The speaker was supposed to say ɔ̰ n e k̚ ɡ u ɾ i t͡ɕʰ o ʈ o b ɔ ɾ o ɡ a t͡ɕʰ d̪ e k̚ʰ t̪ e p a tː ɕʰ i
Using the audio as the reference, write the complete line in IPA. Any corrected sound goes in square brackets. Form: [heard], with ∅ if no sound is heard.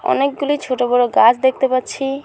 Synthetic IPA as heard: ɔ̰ n e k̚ ɡ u [l] i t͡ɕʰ o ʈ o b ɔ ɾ o ɡ a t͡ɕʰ d̪ e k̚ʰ t̪ e p a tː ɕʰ i